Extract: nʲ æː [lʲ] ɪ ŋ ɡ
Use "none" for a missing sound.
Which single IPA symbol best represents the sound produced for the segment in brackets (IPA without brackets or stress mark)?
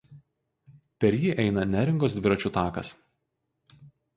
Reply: ɾʲ